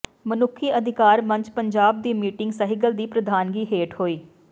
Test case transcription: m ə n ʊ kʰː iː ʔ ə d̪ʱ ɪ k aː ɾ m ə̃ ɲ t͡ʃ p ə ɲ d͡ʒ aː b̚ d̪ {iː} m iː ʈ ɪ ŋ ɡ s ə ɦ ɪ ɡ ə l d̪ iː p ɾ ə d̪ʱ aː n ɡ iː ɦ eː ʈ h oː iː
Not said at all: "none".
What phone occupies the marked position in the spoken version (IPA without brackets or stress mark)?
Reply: iː